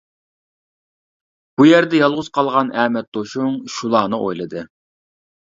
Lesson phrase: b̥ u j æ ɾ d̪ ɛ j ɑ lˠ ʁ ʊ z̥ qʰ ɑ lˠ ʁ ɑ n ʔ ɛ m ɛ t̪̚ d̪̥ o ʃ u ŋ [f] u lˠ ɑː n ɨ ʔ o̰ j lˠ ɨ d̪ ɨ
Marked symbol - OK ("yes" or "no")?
no